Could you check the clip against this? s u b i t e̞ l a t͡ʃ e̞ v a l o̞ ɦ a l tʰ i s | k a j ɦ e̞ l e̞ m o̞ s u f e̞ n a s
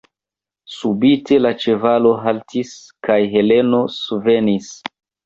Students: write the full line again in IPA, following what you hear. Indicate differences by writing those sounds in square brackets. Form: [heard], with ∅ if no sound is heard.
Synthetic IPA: s u b i t e̞ l a t͡ʃ e̞ v a l o̞ ɦ a l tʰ i s | k a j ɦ e̞ l e̞ [n] o̞ s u [v] e̞ n [i] s